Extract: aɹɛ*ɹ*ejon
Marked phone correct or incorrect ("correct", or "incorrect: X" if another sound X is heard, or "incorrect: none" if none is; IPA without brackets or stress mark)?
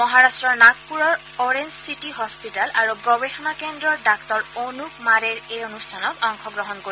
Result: correct